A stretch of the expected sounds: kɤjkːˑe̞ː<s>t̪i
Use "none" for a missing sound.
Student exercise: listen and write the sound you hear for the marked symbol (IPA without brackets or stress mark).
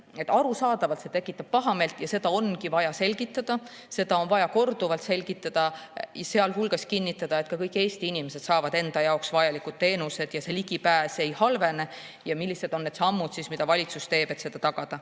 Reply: s